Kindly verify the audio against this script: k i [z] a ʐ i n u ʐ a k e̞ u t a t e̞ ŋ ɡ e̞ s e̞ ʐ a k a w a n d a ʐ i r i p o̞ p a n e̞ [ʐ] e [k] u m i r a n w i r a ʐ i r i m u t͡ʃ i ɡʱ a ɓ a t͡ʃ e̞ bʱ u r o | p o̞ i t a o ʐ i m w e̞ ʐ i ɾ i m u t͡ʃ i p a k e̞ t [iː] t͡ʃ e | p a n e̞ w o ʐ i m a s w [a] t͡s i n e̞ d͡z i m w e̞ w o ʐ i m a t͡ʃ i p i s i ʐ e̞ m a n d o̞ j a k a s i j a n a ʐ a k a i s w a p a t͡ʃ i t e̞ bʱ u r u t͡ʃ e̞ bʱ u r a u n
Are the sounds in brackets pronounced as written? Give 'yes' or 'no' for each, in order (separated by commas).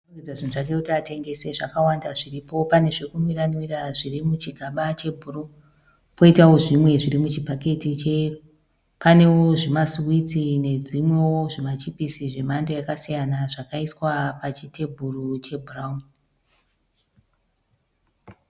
no, yes, yes, no, no